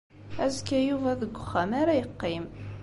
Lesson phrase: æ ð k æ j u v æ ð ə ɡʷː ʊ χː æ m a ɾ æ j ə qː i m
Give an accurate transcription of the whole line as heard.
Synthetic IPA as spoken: æ z k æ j u v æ ð ə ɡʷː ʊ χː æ m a ɾ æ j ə qː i m